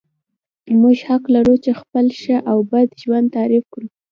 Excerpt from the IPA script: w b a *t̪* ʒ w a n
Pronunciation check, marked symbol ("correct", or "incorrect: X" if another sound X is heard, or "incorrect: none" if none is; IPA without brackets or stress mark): incorrect: d̪